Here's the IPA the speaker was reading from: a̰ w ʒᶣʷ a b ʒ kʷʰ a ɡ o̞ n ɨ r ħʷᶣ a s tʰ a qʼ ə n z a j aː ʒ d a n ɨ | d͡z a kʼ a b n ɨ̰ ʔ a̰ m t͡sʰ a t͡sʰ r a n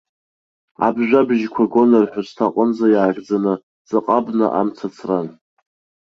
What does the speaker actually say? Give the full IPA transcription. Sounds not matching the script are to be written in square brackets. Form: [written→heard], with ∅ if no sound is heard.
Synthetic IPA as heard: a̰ [w→b] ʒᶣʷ a b ʒ kʷʰ a ɡ o̞ n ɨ r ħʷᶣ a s tʰ a qʼ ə n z a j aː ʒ [d→d͡z] a n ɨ | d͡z a [kʼ→qʼ] a b n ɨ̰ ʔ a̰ m t͡sʰ a t͡sʰ r a n